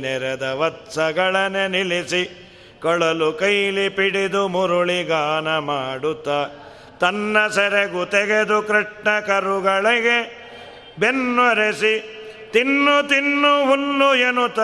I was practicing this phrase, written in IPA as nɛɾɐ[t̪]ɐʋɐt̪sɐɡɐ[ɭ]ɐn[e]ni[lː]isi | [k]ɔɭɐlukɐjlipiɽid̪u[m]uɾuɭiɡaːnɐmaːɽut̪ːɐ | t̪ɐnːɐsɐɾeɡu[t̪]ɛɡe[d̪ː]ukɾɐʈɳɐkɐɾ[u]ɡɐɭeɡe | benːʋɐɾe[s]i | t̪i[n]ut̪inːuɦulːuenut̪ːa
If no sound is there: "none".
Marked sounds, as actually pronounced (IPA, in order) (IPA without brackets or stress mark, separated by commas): d̪, ɭ, e, l, k, m, t̪, d̪, u, s, nː